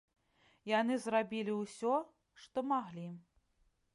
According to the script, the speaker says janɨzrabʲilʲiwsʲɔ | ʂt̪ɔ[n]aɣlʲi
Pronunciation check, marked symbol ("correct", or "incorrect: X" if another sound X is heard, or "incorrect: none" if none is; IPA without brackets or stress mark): incorrect: m